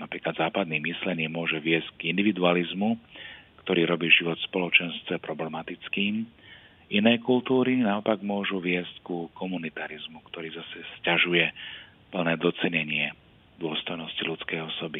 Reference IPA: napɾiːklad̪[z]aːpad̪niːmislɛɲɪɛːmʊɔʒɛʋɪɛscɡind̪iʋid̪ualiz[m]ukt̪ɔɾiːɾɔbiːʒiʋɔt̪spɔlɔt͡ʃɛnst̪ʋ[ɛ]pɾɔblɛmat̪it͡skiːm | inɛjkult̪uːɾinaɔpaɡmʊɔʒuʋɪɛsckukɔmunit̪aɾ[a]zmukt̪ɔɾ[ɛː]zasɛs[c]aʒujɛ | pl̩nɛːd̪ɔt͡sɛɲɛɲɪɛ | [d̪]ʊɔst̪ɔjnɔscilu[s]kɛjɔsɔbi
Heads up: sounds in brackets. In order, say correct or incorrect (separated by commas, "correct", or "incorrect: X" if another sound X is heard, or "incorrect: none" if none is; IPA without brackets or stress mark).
correct, correct, correct, incorrect: i, incorrect: iː, correct, correct, incorrect: t͡s